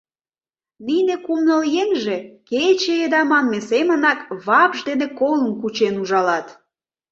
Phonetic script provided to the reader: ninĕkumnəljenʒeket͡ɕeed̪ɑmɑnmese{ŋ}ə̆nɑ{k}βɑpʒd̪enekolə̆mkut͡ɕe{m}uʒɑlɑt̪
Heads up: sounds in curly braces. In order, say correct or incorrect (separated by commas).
incorrect, correct, incorrect